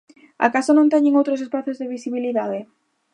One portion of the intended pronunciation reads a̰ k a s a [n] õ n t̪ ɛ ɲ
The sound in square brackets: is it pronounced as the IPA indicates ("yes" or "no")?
yes